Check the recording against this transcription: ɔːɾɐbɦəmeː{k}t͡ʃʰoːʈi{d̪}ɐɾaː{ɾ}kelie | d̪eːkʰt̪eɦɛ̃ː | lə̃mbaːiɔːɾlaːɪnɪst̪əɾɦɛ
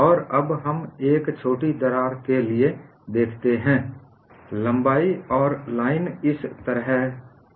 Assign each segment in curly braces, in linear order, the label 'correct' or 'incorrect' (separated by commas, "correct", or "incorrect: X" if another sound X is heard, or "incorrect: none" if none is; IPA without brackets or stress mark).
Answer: correct, correct, correct